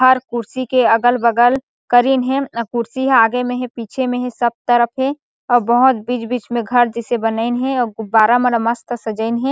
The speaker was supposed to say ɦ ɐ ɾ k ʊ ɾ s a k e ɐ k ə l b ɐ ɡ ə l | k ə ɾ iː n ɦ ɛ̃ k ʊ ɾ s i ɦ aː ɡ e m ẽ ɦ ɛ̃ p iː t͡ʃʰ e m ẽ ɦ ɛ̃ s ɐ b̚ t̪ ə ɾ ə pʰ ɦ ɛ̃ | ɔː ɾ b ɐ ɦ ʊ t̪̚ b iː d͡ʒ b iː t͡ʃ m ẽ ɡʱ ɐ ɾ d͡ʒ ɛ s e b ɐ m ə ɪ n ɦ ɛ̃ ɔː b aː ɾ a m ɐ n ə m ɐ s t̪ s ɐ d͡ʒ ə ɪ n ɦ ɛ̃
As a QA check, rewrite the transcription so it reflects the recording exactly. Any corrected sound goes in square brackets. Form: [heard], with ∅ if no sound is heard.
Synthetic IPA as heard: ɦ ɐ ɾ k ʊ ɾ s [i] k e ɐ [ɡ] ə l b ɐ ɡ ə l | k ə ɾ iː n ɦ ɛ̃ k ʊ ɾ s i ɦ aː ɡ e m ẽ ɦ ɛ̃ p iː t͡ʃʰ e m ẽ ɦ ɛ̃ s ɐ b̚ t̪ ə ɾ ə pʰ ɦ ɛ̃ | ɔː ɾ b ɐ ɦ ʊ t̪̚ b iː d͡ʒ b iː t͡ʃ m ẽ ɡʱ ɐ ɾ d͡ʒ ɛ s e b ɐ [n] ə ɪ n ɦ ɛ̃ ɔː b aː ɾ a m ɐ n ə m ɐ s t̪ s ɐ d͡ʒ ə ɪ n ɦ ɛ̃